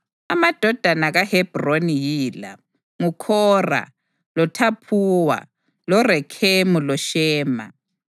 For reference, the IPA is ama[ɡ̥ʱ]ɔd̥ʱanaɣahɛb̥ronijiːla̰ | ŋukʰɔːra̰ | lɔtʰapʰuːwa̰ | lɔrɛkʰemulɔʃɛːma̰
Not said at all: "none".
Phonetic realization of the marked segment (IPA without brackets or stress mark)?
d̥ʱ